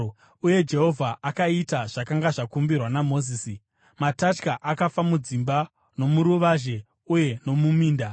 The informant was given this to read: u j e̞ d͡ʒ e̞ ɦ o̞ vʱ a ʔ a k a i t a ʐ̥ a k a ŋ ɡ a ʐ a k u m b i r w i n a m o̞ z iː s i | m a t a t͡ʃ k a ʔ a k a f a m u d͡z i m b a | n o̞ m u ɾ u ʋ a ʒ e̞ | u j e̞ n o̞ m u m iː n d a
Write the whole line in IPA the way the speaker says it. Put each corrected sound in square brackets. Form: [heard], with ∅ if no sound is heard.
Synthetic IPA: u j e̞ d͡ʒ e̞ ɦ o̞ vʱ a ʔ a k a i t a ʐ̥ a k a ŋ ɡ a ʐ a k u m b i r w [a] n a m o̞ z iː s i | m a t a t͡ʃ k a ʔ a k a f a m u d͡z i m b a | n o̞ m u ɾ u ʋ a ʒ e̞ | u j e̞ n o̞ m u m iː n d a